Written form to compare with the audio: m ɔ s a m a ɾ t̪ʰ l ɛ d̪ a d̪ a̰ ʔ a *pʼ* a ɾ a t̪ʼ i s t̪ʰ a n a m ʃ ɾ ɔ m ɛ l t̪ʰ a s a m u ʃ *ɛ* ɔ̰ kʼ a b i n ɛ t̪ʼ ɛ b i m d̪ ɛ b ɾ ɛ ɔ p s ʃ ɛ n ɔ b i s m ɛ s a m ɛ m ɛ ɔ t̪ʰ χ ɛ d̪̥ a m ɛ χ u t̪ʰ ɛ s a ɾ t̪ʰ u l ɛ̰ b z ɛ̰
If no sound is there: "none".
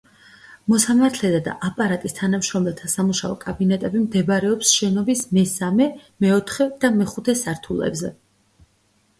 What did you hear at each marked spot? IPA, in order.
pʼ, a

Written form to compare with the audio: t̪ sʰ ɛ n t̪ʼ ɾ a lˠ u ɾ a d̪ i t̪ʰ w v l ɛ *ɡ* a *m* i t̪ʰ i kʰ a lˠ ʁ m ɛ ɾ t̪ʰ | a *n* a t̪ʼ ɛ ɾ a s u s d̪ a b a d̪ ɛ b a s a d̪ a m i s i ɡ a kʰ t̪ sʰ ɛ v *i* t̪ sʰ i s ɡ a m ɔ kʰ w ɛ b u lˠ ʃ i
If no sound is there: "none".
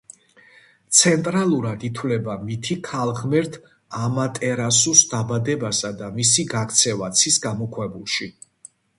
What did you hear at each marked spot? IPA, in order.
b, m, m, a

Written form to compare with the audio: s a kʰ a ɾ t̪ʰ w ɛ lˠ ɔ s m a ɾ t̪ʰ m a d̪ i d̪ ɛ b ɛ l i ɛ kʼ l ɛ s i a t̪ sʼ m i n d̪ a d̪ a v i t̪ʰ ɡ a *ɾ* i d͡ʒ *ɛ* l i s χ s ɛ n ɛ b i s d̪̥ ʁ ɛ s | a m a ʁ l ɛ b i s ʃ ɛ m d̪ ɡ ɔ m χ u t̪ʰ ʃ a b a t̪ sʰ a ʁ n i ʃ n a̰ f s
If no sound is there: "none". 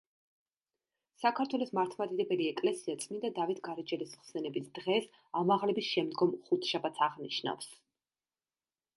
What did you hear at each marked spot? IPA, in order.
ɾ, ɛ

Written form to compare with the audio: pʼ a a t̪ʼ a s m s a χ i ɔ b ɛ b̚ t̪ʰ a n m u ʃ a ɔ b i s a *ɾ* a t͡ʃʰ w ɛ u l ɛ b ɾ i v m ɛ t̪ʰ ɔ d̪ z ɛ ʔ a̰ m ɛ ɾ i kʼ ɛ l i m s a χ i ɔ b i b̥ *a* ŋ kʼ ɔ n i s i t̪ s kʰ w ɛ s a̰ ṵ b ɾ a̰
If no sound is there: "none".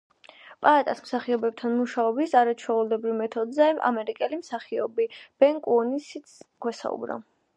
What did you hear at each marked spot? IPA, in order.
ɾ, ɛ

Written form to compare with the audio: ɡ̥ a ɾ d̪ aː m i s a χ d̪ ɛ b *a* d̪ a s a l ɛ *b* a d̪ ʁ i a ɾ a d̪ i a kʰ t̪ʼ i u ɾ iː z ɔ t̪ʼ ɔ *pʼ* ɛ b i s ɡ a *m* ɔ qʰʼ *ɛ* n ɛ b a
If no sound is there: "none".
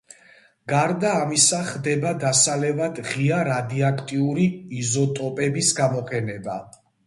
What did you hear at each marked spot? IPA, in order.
a, v, pʼ, m, ɛ

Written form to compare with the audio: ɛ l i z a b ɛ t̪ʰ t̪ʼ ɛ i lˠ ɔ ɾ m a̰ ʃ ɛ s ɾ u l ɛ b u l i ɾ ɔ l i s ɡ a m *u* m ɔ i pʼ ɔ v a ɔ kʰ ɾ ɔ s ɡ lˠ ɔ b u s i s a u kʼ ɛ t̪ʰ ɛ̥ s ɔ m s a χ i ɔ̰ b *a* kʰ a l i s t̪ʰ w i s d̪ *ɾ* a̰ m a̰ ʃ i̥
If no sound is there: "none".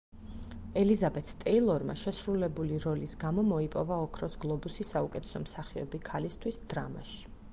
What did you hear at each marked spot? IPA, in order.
ɔ, i, ɾ

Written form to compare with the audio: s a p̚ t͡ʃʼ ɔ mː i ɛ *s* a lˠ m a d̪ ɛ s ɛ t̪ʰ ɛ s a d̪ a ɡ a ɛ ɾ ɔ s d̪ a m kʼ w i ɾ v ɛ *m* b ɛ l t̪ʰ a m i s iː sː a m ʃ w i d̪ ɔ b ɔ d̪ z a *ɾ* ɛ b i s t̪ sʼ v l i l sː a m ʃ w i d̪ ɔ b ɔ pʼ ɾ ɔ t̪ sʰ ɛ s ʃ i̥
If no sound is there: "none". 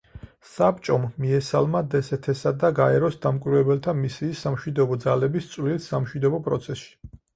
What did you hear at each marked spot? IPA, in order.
s, none, l

